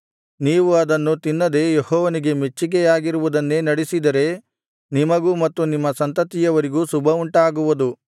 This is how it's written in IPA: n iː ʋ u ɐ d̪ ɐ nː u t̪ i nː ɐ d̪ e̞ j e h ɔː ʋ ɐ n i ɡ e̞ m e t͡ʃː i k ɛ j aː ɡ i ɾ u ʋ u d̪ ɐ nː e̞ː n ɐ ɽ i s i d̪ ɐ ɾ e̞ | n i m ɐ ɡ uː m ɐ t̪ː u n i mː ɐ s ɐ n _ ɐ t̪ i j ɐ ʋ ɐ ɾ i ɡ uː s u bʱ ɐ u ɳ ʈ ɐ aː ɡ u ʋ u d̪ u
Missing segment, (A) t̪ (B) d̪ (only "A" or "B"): A